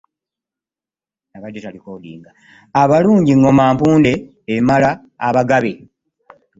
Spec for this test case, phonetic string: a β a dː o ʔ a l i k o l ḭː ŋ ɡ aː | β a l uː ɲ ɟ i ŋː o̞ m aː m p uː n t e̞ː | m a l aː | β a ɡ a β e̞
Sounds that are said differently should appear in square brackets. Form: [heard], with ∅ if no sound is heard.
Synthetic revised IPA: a β a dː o [t] a l i k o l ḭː ŋ ɡ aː | β a l uː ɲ ɟ i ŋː o̞ m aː m p uː n [d] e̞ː | m a l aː | β a ɡ a β e̞